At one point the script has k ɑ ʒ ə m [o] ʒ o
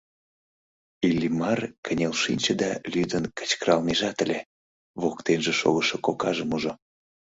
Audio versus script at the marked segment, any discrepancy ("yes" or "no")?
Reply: yes